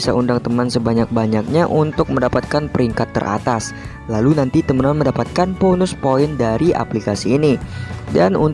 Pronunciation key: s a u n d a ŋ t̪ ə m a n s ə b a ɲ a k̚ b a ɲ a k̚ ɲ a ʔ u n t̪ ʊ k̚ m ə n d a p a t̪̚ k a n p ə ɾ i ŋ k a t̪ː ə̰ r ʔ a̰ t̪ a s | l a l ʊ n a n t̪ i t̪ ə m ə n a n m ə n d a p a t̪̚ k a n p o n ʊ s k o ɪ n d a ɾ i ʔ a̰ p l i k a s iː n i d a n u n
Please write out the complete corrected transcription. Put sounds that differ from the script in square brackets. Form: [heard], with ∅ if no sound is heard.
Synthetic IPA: s a u n d a ŋ t̪ ə m a n s ə b a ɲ a k̚ b a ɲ a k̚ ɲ a ʔ u n t̪ ʊ k̚ m ə n d a p a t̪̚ k a n p ə ɾ i ŋ k a t̪ː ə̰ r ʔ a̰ t̪ a s | l a l [u] n a n t̪ i t̪ ə m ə n a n m ə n d a p a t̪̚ k a n p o n ʊ s [p] o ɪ n d a ɾ i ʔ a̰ p l i k a s iː n i d a n u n